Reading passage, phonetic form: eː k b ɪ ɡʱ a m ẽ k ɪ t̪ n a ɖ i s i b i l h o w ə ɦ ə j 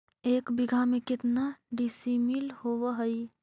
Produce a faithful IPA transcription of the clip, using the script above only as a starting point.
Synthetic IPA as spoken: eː k b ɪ ɡʱ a m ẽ k ɪ t̪ n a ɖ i s i m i l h o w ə ɦ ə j